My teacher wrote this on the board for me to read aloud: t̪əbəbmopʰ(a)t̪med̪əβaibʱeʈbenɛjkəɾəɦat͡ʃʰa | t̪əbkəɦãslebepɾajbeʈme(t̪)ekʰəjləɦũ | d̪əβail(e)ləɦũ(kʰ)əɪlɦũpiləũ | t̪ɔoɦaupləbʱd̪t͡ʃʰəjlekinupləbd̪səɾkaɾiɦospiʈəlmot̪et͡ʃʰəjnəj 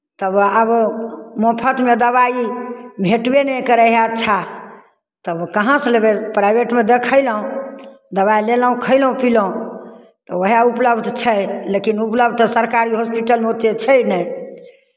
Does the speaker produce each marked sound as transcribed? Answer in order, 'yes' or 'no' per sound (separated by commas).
no, no, yes, yes